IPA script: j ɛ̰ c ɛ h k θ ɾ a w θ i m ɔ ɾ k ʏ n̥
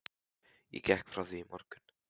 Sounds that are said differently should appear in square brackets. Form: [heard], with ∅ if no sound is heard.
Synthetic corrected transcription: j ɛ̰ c ɛ h k [f] ɾ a w θ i m ɔ ɾ k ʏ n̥